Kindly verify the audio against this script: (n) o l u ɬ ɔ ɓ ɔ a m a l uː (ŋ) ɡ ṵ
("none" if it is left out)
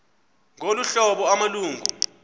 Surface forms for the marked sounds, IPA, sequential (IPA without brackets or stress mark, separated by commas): ŋ, ŋ